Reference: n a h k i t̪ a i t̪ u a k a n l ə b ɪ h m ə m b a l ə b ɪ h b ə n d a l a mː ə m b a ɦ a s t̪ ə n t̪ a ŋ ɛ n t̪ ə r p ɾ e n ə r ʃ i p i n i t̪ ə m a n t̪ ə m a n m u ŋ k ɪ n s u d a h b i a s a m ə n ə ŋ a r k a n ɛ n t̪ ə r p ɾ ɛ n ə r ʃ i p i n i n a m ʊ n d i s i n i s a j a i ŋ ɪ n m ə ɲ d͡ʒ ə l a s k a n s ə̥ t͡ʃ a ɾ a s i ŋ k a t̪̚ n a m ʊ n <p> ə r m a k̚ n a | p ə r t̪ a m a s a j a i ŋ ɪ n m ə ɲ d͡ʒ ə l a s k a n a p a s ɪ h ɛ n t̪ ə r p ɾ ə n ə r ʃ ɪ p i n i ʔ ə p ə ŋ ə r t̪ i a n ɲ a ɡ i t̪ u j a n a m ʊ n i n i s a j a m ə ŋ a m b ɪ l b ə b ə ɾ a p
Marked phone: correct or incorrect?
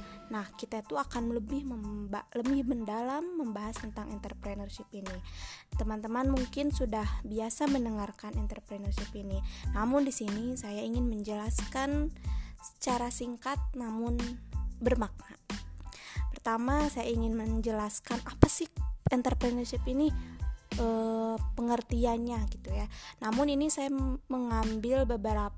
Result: incorrect